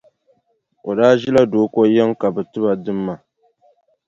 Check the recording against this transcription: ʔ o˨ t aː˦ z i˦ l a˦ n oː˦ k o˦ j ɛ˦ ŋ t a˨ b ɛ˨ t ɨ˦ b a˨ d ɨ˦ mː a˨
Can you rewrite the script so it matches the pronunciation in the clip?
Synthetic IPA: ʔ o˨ d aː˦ ʒ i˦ l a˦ d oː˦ k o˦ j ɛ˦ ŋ k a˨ b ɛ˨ t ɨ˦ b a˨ d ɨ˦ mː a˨